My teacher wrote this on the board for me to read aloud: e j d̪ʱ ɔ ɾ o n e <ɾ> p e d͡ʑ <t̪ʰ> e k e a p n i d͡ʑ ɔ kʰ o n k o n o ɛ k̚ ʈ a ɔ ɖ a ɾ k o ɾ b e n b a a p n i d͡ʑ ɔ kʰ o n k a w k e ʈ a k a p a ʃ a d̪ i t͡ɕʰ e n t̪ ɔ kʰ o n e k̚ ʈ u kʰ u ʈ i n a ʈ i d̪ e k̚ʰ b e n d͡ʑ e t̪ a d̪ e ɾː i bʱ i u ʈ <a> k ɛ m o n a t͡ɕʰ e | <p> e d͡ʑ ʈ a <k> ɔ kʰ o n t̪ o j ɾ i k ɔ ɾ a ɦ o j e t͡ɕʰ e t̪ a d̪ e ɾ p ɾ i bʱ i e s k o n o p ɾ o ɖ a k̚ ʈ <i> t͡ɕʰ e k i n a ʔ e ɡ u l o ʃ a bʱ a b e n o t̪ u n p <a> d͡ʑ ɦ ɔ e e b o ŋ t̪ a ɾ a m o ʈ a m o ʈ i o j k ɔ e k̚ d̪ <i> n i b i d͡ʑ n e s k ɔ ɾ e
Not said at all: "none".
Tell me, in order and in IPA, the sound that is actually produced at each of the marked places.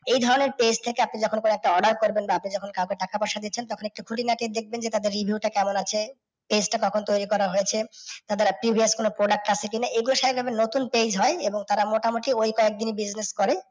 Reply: ɾ, t̪ʰ, a, p, k, a, e, i

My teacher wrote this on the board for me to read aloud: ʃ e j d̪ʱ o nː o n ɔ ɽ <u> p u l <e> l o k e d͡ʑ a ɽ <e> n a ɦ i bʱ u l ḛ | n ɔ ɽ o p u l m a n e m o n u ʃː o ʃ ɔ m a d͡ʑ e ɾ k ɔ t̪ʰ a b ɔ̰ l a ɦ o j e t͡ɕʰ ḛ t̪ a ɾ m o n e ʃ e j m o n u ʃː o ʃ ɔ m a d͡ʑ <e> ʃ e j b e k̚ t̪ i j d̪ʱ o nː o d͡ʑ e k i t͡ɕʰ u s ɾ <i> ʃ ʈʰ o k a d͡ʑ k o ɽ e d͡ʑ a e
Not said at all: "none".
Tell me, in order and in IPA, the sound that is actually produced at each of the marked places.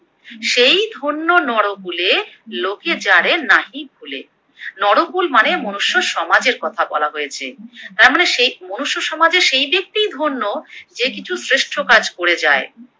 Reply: o, e, e, e, e

